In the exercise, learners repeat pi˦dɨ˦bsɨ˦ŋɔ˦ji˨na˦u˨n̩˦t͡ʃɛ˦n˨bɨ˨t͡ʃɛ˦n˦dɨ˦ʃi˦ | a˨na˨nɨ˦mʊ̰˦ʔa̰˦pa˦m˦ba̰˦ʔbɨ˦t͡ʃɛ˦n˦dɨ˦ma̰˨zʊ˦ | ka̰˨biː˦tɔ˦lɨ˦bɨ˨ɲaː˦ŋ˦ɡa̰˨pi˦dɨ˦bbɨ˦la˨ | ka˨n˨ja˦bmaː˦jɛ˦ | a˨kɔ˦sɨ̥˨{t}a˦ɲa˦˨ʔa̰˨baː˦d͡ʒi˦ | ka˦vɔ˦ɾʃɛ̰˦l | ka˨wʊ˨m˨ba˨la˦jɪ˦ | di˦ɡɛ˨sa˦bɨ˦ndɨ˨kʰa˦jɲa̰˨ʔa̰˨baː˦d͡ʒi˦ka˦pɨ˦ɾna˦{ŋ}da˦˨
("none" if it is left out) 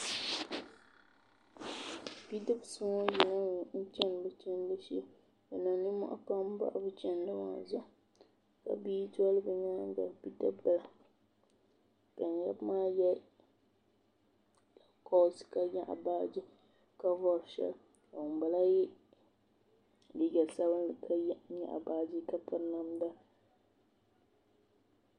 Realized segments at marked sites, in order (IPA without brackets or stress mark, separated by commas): k, m